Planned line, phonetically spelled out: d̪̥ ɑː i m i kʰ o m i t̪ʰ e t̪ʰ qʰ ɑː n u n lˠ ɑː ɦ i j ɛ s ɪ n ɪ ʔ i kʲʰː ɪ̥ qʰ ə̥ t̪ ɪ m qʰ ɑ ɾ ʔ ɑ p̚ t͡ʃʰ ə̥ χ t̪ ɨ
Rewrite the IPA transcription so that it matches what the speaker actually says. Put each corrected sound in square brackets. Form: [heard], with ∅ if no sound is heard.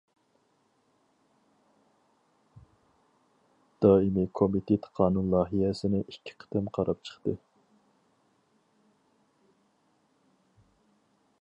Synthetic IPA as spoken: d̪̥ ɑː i m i kʰ o m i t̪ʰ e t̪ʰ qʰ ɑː n u n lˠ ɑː ɦ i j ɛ s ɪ n ɪ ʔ i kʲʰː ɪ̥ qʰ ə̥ t̪ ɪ m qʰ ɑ ɾ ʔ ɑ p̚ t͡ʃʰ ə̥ χ t̪ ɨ